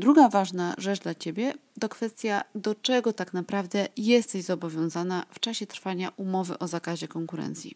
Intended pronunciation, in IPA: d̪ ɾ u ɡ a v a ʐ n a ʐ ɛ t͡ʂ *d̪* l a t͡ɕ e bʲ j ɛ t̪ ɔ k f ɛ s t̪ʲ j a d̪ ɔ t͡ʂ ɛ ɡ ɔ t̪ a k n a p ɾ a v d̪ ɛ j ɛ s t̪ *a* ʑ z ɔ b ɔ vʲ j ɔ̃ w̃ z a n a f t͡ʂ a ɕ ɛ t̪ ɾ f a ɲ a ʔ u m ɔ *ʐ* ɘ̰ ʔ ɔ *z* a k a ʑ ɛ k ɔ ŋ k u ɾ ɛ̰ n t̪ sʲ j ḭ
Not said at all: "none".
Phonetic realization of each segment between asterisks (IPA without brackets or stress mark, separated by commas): d̪, ɛ, v, z